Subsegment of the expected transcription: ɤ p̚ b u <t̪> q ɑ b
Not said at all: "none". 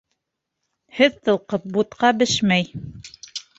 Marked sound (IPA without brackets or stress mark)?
t̪